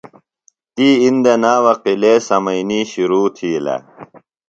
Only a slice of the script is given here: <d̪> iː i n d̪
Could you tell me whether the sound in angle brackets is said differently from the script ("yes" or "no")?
yes